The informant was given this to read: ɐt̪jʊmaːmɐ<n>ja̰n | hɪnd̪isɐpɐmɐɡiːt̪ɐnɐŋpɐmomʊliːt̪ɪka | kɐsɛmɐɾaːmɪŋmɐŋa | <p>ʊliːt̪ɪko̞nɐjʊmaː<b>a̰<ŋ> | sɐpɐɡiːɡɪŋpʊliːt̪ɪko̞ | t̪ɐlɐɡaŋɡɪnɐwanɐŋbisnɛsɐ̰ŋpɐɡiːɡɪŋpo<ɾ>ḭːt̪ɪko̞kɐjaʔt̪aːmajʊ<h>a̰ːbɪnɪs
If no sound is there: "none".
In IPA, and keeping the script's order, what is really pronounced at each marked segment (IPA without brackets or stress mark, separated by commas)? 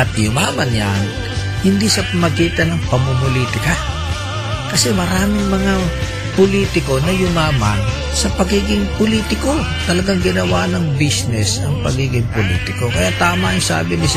n, p, m, n, l, s